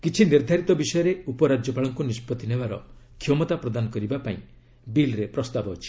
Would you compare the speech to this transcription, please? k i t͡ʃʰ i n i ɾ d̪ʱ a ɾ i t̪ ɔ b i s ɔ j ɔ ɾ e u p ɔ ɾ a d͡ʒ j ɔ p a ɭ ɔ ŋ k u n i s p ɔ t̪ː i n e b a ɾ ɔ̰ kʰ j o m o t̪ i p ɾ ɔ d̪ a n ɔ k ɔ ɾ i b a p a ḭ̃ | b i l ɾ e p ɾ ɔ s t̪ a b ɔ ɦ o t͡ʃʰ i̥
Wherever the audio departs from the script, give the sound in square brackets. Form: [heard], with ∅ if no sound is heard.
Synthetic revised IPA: k i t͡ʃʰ i n i ɾ d̪ʱ a ɾ i t̪ ɔ b i s ɔ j ɔ ɾ e u p ɔ ɾ a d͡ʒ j ɔ p a ɭ ɔ ŋ k u n i s p ɔ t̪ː i n e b a ɾ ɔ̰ kʰ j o m [ɔ] t̪ [a] p ɾ ɔ d̪ a n ɔ k ɔ ɾ i b a p a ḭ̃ | b i l ɾ e p ɾ ɔ s t̪ a b ɔ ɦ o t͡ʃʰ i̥